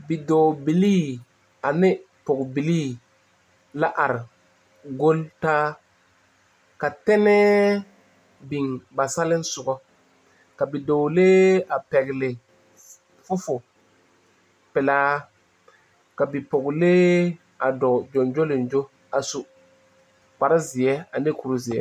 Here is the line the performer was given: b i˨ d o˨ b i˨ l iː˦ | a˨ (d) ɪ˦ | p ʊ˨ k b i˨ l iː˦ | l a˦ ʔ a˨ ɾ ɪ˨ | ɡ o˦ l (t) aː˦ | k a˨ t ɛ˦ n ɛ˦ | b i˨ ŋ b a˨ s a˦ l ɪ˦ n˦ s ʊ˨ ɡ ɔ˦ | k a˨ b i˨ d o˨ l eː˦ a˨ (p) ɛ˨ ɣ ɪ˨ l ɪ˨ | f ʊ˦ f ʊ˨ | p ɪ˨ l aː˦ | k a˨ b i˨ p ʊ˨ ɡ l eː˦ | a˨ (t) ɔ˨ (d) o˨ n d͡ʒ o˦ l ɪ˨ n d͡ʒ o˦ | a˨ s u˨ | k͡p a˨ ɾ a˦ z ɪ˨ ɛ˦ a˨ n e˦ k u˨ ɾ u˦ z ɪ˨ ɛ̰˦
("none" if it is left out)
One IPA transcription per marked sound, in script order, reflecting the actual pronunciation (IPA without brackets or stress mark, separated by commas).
n, t, p, d, d͡ʒ